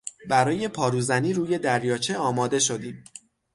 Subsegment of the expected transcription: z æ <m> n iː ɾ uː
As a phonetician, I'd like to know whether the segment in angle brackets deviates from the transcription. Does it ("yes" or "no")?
yes